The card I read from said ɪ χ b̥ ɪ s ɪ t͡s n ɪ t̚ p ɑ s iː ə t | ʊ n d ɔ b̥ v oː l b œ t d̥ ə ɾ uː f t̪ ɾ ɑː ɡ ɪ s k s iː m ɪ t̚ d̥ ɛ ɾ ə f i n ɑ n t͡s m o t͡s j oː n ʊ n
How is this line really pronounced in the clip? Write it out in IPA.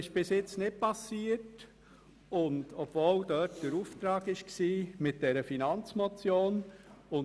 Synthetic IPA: ɪ ʃ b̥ ɪ s ɪ t͡s n ɪ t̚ p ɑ s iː ə t | ʊ n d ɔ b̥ v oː l d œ t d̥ ə ɾ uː f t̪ ɾ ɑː ɡ ɪ ʃ k s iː m ɪ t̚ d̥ ɛ ɾ ə f i n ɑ n t͡s m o t͡s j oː n ʊ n